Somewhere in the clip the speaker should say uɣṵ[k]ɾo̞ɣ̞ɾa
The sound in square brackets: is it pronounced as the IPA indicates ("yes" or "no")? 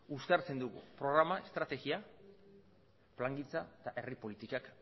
no